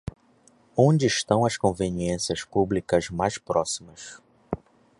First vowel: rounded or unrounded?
rounded